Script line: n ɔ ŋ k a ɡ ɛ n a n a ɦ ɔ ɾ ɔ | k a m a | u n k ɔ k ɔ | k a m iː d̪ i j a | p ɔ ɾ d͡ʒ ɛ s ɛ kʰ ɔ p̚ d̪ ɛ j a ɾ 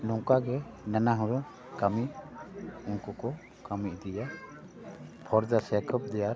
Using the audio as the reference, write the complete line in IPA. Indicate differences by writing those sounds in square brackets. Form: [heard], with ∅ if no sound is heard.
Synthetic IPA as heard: n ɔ ŋ k a ɡ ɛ n a n a ɦ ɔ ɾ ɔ | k a m [i] | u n k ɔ k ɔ | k a m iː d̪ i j a | [pʰ] ɔ ɾ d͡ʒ [a] s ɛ kʰ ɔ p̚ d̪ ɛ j a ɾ